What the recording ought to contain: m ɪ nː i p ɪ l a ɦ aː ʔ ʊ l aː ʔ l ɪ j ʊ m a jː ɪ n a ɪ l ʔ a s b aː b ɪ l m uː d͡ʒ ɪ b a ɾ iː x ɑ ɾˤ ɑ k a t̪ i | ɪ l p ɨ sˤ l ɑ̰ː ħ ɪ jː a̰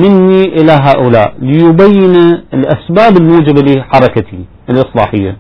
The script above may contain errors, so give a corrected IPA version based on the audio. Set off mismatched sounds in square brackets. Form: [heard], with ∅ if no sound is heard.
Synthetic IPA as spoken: m ɪ nː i [ʔ] ɪ l a ɦ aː ʔ ʊ l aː ʔ l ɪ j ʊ [b] a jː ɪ n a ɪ l ʔ a s b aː b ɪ l m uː d͡ʒ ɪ b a [l] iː [ħ] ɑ ɾˤ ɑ k a t̪ i | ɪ l [ʔ] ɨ sˤ l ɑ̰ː ħ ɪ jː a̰